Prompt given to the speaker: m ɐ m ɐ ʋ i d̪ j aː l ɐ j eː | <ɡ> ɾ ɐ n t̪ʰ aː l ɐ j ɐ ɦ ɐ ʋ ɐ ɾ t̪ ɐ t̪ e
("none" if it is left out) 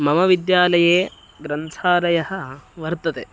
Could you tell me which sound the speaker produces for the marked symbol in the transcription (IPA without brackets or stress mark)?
ɡ